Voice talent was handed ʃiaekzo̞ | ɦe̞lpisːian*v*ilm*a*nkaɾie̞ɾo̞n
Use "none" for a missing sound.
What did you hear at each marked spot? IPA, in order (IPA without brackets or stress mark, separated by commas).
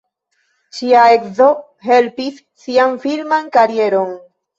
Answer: f, a